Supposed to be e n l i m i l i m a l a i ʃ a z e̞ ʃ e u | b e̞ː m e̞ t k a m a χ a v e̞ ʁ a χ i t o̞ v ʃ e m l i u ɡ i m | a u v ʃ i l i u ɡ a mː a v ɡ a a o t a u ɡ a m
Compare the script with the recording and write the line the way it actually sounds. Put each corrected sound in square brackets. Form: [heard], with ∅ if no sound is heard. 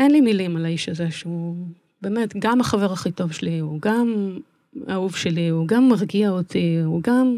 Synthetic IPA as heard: e n l i m i l i m a l a i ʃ a z e̞ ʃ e u | b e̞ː m e̞ t [ɡ] a m a χ a v e̞ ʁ a χ i t o̞ v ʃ e [∅] l i u ɡ [a] m | a u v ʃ [e] l i u ɡ a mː a [ʁ] ɡ [i] a o t [i] u ɡ a m